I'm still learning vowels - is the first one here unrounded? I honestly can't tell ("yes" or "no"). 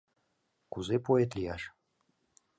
no